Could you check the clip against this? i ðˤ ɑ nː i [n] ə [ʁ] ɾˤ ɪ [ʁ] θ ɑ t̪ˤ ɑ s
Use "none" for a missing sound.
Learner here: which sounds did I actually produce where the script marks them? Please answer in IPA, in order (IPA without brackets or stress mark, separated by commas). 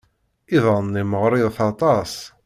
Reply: m, ʁ, ð